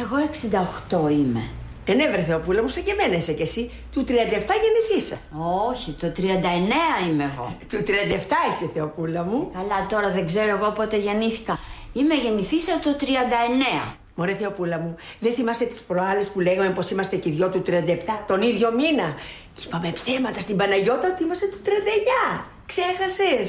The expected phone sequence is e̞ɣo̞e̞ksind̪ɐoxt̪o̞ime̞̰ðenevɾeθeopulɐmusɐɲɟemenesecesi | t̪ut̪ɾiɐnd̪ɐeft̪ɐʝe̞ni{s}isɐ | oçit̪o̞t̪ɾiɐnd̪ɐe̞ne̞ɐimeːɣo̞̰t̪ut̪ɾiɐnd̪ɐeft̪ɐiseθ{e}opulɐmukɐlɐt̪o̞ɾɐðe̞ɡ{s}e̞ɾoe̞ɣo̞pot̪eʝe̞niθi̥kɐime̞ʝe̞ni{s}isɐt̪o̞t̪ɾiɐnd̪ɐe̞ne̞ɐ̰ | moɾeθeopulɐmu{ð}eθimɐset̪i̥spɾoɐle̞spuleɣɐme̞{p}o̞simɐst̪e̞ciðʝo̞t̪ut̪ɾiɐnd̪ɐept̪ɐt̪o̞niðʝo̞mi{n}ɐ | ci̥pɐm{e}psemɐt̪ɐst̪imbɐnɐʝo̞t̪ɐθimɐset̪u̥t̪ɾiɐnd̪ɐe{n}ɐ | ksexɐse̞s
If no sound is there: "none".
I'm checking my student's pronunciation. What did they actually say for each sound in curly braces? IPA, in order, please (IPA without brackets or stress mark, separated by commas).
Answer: θ, e, z, θ, ð, p, n, e, ɲ